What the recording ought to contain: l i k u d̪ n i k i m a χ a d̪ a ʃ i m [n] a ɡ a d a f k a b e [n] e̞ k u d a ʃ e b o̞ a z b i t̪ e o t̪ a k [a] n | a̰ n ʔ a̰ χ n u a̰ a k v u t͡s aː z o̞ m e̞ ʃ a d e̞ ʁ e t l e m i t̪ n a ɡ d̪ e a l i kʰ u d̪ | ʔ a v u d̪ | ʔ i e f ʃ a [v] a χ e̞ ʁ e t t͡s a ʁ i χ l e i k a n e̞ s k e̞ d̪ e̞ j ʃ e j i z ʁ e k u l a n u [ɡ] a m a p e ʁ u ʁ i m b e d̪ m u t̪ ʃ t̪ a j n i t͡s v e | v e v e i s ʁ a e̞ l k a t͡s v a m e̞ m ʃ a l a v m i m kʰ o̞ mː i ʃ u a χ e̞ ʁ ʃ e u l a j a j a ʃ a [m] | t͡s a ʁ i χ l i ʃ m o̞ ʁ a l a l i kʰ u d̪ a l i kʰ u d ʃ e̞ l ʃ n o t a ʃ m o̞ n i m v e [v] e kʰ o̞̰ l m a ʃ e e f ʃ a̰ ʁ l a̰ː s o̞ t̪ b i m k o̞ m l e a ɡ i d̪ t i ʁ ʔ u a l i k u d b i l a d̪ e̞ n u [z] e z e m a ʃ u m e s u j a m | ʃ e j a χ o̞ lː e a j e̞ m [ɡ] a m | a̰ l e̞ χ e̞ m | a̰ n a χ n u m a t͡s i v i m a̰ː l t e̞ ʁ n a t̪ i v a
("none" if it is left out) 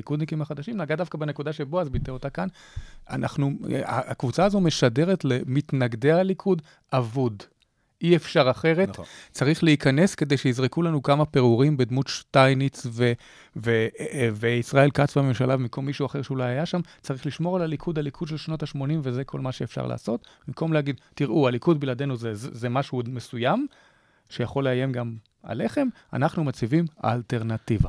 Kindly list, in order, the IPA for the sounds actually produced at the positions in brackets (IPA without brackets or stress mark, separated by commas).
n, n, a, ʁ, k, m, z, z, ɡ